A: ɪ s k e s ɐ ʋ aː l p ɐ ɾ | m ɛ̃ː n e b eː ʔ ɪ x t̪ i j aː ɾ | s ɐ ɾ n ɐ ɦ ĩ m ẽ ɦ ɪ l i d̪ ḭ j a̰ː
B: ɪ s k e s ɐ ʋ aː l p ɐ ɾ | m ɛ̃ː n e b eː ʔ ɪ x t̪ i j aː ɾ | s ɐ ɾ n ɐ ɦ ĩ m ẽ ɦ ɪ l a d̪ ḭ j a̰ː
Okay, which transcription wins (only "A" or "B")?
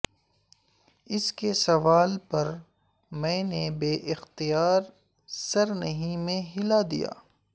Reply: B